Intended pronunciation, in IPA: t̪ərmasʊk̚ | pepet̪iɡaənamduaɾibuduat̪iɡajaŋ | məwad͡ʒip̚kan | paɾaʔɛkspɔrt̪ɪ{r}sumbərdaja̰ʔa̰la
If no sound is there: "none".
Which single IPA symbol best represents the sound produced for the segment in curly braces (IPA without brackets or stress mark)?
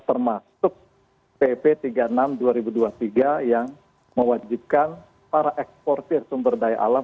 r